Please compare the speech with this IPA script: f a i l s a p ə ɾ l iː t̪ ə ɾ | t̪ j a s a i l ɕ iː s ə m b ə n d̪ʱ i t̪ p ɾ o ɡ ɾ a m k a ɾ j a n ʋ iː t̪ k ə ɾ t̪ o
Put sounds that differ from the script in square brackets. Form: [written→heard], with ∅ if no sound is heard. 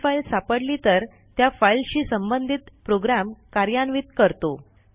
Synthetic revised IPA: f a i l s a p ə [ɾ→ɽ] l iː t̪ ə ɾ | t̪ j a [s→f] a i l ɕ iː s ə m b ə n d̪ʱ i t̪ p ɾ o ɡ ɾ a m k a ɾ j a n ʋ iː t̪ k ə ɾ t̪ o